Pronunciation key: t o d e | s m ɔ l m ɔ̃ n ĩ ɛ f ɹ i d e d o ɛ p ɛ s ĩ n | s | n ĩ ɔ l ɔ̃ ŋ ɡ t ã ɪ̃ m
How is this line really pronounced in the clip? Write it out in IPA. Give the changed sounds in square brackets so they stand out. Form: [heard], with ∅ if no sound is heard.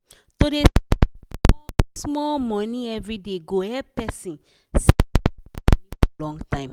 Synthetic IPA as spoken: t o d e | s m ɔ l m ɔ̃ n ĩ ɛ [v] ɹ i d e [ɡ] o ɛ p ɛ s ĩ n | s | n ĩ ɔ l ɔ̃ ŋ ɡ t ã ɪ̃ m